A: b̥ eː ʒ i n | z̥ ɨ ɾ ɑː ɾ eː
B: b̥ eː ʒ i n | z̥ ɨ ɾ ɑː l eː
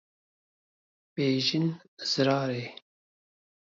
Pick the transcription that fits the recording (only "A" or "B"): A